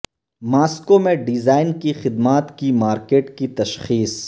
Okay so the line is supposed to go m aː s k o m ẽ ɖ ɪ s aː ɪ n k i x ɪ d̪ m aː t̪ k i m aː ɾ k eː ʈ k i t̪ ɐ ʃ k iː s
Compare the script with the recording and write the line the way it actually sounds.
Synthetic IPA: m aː s k o m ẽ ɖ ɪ z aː ɪ n k i x ɪ d̪ m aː t̪ k i m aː ɾ k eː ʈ k i t̪ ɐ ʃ x iː s